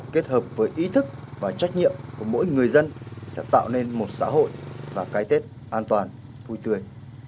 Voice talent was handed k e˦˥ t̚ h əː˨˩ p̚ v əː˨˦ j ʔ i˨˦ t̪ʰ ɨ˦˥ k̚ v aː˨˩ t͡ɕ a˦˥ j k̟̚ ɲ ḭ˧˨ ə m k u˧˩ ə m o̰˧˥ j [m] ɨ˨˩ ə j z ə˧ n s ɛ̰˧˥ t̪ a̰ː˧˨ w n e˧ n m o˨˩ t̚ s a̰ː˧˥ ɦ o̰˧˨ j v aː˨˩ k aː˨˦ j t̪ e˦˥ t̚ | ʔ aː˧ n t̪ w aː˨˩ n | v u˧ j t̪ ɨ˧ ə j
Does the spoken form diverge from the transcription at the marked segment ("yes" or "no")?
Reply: yes